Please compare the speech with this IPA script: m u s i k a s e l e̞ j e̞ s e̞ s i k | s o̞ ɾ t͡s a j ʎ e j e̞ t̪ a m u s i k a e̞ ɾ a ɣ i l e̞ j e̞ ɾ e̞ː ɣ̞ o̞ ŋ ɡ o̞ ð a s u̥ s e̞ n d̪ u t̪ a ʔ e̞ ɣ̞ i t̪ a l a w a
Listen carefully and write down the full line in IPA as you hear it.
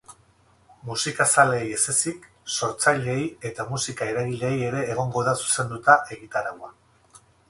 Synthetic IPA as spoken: m u s i k a s a l e̞ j e̞ s e̞ s i k | s o̞ ɾ t͡s a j ʎ e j e̞ t̪ a m u s i k a e̞ ɾ a ɣ i l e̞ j e̞ ɾ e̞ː ɣ̞ o̞ ŋ ɡ o̞ ð a s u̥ s e̞ n d̪ u t̪ a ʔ e̞ ɣ̞ i t̪ a ɾ a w a